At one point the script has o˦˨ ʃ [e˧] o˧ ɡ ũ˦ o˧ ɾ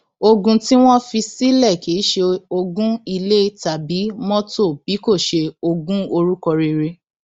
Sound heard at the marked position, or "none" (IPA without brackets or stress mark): e˧